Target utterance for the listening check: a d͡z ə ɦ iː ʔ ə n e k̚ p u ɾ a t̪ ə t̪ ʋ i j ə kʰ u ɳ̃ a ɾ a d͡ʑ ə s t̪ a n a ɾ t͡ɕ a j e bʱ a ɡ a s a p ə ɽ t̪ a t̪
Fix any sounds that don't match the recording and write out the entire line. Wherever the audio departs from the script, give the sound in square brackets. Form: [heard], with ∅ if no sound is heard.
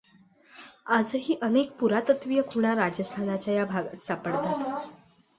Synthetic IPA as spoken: a d͡z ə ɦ iː ʔ ə n e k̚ p u ɾ a t̪ ə t̪ ʋ i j ə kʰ u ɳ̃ a ɾ a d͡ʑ ə s [t̪ʰ] a n a [∅] t͡ɕ a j [a] bʱ a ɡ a s a p ə ɽ t̪ a t̪